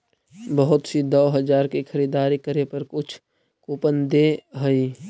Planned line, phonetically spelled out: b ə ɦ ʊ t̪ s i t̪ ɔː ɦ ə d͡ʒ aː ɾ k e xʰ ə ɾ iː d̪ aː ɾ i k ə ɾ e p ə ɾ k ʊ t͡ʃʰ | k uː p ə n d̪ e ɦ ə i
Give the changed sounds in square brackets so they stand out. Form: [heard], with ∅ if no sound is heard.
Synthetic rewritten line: b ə ɦ ʊ t̪ s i [d̪] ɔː ɦ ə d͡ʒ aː ɾ k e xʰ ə ɾ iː d̪ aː ɾ i k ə ɾ e p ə ɾ k ʊ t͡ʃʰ | k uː p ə n d̪ e ɦ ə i